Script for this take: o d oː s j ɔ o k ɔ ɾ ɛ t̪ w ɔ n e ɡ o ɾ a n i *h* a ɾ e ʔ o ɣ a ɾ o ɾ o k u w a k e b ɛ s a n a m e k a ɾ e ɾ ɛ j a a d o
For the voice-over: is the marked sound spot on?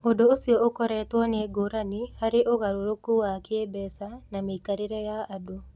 yes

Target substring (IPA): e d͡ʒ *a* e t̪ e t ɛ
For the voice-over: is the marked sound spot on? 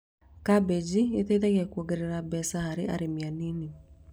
no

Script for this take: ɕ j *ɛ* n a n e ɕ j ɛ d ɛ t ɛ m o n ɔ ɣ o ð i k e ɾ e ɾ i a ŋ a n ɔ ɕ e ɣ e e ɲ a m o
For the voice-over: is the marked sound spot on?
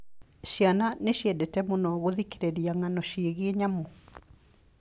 no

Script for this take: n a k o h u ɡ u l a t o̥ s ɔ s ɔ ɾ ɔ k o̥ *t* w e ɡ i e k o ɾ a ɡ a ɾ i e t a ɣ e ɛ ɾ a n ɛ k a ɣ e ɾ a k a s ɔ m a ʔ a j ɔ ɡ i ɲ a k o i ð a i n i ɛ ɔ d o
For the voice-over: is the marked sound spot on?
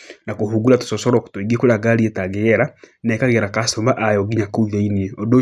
yes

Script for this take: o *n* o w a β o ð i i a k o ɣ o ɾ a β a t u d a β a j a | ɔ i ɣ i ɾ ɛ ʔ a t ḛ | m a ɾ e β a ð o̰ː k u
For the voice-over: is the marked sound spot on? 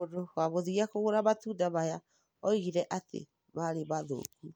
no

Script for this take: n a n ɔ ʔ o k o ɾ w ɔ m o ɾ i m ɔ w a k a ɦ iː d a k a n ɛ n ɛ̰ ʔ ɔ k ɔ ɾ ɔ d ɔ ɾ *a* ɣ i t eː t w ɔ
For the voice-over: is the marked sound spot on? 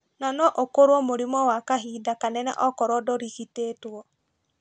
no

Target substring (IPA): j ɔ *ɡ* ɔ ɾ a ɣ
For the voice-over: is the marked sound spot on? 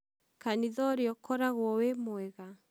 no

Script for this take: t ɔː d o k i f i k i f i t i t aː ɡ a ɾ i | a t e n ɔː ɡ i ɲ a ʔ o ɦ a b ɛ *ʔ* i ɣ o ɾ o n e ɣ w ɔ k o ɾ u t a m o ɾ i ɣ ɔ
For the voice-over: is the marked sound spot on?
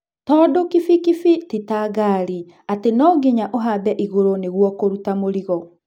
yes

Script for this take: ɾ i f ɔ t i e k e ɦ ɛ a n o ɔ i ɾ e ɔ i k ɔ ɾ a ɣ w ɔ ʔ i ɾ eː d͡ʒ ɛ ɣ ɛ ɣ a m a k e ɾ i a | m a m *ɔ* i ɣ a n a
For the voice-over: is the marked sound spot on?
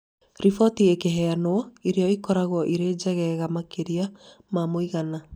no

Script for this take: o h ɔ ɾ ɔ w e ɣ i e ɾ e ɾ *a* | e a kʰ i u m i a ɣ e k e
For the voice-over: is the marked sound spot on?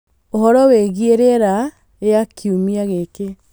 yes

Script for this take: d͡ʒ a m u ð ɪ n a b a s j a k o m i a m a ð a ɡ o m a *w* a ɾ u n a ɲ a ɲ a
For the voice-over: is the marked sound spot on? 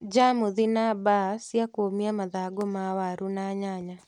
yes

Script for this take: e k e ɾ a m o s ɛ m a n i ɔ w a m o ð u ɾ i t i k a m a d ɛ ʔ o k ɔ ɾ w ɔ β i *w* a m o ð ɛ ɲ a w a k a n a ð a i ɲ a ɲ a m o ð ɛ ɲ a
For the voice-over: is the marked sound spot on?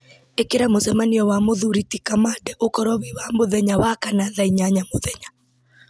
yes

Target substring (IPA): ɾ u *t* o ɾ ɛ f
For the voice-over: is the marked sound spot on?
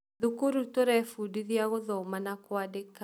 yes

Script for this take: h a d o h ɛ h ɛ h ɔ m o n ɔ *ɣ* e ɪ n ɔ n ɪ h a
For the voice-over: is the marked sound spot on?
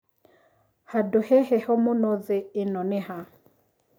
no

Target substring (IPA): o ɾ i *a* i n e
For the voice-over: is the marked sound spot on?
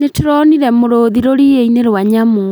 no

